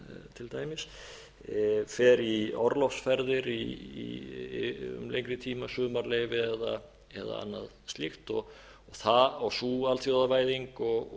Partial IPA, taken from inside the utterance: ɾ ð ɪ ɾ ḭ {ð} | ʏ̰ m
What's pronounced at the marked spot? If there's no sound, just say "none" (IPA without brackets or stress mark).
none